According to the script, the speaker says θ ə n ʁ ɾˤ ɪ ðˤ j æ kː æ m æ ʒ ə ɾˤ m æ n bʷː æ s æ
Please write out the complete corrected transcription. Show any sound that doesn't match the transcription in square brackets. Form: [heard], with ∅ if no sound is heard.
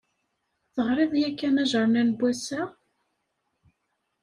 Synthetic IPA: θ ə [∅] ʁ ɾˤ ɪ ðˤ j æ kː æ [n] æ ʒ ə ɾˤ [n] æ n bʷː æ s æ